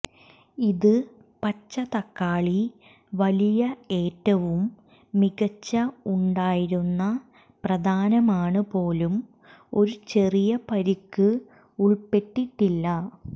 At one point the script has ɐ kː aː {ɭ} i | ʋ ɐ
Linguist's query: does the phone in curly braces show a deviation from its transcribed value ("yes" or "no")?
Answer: no